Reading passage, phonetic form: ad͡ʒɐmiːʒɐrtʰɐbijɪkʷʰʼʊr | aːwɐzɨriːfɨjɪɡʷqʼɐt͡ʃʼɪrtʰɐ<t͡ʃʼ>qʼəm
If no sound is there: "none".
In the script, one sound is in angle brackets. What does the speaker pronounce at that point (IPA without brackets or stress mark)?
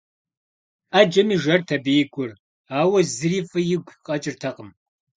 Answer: none